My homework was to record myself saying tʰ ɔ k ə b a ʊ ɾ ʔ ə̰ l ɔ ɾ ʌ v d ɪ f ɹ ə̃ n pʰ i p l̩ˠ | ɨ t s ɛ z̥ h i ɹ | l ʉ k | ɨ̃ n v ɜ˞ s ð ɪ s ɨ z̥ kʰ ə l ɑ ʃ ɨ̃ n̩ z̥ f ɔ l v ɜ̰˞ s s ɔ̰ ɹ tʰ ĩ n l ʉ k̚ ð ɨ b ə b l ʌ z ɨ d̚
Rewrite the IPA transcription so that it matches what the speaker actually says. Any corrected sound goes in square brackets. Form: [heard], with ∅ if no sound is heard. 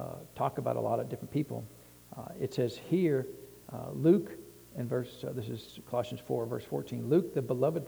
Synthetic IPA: tʰ ɔ k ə b a ʊ ɾ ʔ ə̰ l ɔ ɾ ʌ v d ɪ f ɹ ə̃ n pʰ i p l̩ˠ | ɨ t s ɛ z̥ h i ɹ | l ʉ k | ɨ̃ n v ɜ˞ s ð ɪ s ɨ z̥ kʰ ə l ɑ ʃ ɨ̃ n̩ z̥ f ɔ [ɹ] v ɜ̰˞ s [f] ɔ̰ ɹ tʰ ĩ n l ʉ k̚ ð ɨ b ə [∅] l ʌ [v] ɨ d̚